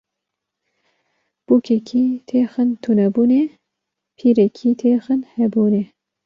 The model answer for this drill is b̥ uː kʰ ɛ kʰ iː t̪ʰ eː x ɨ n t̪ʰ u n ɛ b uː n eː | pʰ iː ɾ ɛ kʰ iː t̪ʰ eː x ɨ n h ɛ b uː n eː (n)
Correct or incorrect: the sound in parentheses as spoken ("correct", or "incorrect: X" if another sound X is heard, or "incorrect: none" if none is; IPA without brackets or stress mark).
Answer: incorrect: none